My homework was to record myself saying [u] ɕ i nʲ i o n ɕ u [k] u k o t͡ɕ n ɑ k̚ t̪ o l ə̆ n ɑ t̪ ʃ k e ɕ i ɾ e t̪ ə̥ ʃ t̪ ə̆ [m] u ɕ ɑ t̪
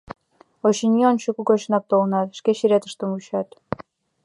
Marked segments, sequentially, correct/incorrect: incorrect, correct, correct

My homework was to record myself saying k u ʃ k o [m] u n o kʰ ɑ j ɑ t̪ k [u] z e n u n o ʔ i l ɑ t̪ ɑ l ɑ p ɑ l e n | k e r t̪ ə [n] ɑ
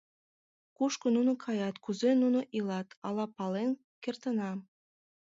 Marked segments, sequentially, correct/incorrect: incorrect, correct, correct

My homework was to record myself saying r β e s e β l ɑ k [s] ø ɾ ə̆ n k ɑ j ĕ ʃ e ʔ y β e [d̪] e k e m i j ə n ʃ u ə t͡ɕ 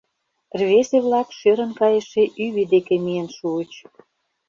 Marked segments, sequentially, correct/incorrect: incorrect, correct

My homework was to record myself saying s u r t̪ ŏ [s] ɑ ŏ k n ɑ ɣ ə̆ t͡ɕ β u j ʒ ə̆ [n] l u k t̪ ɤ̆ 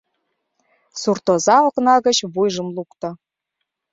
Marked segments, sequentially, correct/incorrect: incorrect, incorrect

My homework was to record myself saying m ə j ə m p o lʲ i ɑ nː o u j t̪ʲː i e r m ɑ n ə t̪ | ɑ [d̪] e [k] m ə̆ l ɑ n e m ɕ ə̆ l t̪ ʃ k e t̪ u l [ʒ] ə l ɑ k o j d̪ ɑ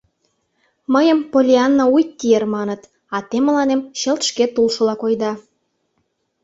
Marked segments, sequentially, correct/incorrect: incorrect, incorrect, incorrect

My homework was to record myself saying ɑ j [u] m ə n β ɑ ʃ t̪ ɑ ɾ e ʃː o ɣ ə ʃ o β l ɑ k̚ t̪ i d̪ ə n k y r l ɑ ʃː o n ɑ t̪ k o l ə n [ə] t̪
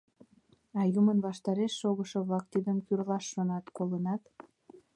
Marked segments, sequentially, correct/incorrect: correct, incorrect

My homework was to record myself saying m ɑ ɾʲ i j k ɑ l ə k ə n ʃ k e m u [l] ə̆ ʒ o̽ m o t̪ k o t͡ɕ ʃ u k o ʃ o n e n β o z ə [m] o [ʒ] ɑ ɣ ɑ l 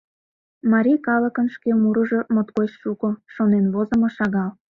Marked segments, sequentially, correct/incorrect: incorrect, correct, incorrect

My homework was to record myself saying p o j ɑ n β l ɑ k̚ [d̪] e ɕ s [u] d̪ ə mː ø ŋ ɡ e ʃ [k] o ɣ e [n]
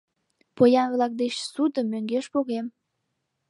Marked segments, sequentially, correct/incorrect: correct, correct, incorrect, incorrect

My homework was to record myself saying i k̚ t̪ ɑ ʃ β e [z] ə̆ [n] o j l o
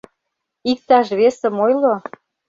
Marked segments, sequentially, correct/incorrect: incorrect, incorrect

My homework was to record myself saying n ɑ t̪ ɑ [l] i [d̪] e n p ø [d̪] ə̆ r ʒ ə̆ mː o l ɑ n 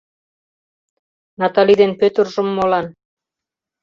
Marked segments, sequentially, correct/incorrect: correct, correct, incorrect

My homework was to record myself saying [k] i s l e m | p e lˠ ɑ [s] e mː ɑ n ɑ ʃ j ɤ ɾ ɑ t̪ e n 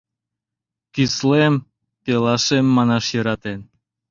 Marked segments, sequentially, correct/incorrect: correct, incorrect

